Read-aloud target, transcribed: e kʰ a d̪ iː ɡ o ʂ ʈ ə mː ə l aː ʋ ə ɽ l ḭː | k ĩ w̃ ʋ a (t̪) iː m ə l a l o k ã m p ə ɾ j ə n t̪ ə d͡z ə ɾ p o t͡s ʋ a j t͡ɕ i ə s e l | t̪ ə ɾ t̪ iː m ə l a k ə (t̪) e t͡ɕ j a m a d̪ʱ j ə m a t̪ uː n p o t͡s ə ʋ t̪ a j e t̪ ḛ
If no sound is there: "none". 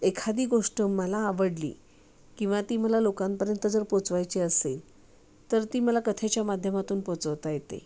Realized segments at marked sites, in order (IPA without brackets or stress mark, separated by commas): t̪, t̪ʰ